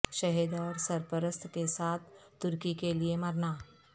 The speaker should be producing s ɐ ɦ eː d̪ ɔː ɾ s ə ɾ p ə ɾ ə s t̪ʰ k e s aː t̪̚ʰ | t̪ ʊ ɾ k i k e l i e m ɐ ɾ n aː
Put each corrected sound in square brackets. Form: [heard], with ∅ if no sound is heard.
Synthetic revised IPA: [ʃ] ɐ ɦ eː d̪ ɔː ɾ s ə ɾ p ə ɾ ə s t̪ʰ k e s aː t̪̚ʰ | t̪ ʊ ɾ k i k e l i e m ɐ ɾ n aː